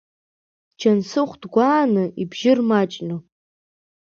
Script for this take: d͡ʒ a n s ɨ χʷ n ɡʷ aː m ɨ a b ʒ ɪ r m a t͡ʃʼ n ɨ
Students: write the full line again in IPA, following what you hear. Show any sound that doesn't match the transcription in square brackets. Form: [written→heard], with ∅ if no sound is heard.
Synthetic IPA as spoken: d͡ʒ a n s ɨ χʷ [n→d] ɡʷ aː [m→n] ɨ [a→i] b ʒ ɪ r m a t͡ʃʼ n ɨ